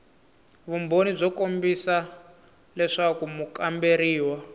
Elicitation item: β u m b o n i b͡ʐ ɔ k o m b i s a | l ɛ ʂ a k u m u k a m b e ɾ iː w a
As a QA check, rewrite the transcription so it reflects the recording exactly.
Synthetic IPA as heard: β u m b o n i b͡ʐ ɔ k o m b i s a | l ɛ ʂ a k u m u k a m b e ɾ iː w a